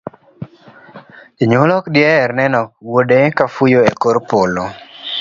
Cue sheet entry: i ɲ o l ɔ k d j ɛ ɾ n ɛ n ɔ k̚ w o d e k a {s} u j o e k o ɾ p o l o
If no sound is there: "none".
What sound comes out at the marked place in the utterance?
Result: f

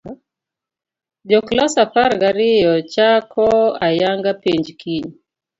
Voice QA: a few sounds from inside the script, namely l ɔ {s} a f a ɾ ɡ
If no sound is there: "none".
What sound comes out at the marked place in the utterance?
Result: s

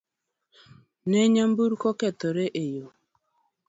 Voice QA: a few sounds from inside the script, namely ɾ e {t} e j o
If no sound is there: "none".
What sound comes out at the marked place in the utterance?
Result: ʔ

